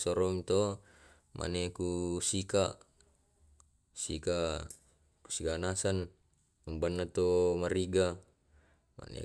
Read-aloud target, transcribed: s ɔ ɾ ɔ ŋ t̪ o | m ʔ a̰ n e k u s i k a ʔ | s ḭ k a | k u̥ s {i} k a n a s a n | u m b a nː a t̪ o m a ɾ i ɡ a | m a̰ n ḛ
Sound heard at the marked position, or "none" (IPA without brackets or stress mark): i